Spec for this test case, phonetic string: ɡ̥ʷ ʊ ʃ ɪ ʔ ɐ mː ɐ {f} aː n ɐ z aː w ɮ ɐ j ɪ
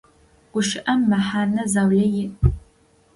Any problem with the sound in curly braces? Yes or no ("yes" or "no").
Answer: yes